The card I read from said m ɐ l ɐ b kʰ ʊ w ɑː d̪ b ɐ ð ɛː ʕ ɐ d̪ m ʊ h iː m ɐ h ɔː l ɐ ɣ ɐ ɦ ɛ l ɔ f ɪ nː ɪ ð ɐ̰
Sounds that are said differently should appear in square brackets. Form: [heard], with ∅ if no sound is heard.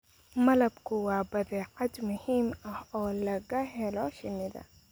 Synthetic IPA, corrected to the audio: m ɐ l ɐ b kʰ ʊ w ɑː [∅] b ɐ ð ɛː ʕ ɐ d̪ m ʊ h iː m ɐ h ɔː l ɐ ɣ ɐ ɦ ɛ l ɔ [ʃ] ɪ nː ɪ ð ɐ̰